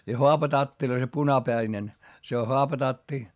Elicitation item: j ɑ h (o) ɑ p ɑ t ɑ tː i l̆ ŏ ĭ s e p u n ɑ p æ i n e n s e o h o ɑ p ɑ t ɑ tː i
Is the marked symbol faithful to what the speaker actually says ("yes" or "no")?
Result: yes